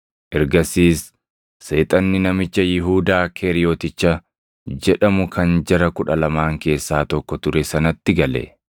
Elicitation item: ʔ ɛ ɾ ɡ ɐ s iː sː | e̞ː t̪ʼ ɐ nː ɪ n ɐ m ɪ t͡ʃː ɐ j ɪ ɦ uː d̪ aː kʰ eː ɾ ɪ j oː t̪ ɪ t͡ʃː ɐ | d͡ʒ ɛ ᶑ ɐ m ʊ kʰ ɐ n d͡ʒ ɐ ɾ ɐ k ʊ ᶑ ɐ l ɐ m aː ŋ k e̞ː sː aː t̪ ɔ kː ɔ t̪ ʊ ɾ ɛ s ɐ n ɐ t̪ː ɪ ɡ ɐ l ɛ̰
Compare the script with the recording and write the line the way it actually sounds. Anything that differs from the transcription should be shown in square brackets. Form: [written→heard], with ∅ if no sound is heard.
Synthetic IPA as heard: ʔ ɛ ɾ ɡ ɐ s iː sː | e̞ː t̪ʼ ɐ nː ɪ n ɐ m ɪ t͡ʃː ɐ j ɪ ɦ uː d̪ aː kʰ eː ɾ ɪ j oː t̪ ɪ t͡ʃː ɐ | d͡ʒ ɛ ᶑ ɐ m ʊ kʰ ɐ n d͡ʒ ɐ ɾ ɐ k ʊ ᶑ ɐ l ɐ m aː ŋ k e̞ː sː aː t̪ ɔ kː ɔ t̪ ʊ ɾ ɛ s ɐ n ɐ t̪ː ɪ ɡ ɐ l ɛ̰